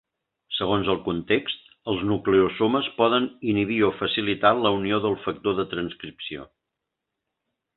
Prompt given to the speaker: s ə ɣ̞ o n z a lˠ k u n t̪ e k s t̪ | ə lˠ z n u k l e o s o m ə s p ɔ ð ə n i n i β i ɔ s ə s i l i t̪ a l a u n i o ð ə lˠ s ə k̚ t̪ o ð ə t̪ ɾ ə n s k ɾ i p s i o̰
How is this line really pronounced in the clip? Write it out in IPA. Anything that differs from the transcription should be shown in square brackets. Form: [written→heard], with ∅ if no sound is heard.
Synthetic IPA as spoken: s ə ɣ̞ o n z [a→ə] lˠ k u n t̪ e k s t̪ | ə lˠ z n u k l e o s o m ə s p ɔ ð ə n i n i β i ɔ [s→f] ə s i l i t̪ a l [a→ə] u n i o ð ə lˠ [s→f] ə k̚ t̪ o ð ə t̪ ɾ ə n s k ɾ i p s i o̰